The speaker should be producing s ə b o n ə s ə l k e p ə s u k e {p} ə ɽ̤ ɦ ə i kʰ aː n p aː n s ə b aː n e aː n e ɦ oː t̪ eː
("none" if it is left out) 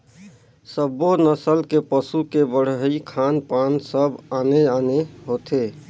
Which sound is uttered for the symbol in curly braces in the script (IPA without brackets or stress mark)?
b